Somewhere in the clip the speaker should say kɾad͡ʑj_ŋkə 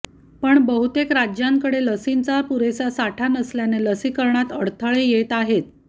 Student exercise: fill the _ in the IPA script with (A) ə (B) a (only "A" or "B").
B